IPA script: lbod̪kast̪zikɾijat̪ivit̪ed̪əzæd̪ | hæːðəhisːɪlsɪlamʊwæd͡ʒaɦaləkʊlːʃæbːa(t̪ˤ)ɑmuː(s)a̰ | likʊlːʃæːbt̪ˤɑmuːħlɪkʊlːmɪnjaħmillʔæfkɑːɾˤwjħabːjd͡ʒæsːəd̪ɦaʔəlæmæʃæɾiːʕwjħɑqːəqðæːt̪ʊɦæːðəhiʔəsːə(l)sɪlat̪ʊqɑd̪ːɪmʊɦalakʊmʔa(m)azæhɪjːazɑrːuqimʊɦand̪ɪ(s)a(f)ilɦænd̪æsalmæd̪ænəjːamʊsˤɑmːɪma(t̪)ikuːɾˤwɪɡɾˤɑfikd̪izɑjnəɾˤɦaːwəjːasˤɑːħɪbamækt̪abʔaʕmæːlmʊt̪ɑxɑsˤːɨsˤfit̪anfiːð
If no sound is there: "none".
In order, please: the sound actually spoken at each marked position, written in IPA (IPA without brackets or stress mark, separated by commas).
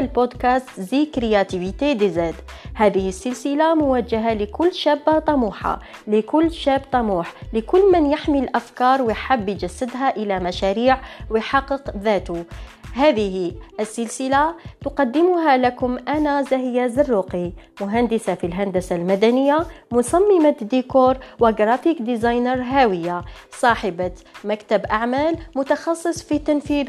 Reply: t̪ˤ, ħ, l, n, s, f, d̪